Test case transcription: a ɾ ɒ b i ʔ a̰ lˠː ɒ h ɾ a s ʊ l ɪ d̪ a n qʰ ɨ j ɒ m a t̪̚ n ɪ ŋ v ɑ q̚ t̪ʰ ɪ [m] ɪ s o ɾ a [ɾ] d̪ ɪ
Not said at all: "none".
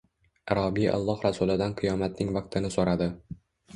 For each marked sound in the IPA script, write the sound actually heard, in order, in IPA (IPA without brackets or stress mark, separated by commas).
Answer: n, none